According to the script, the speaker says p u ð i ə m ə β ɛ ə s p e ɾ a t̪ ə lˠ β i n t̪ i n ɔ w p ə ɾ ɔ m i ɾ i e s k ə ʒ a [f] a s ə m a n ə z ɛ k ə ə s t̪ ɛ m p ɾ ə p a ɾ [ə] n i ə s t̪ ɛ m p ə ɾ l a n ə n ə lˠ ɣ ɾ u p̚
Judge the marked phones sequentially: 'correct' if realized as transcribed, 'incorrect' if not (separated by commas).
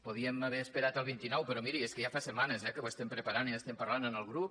correct, incorrect